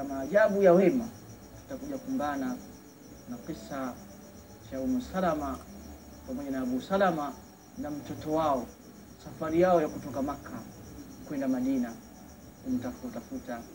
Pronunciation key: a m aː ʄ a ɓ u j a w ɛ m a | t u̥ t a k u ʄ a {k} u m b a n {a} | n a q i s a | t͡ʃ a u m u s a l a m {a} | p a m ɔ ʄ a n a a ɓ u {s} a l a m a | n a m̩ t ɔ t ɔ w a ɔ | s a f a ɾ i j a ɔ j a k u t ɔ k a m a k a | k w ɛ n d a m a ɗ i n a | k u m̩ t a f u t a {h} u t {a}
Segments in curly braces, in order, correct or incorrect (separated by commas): correct, correct, correct, correct, incorrect, correct